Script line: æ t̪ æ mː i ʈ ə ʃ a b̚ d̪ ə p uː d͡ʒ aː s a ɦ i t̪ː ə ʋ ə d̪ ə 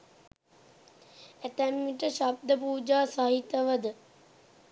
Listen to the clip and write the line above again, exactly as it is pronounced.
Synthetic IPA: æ t̪ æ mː i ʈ ə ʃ a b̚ d̪ ə p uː d͡ʒ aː s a ɦ i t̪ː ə ʋ ə d̪ ə